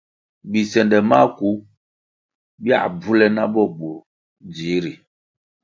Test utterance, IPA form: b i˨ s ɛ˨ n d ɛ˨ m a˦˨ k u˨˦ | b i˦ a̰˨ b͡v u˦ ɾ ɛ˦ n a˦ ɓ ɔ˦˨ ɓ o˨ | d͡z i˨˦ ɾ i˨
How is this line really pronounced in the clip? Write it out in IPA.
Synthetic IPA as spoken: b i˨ s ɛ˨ n d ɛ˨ m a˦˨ k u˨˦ | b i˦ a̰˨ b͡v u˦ l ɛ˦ n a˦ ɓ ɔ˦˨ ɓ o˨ | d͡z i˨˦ ɾ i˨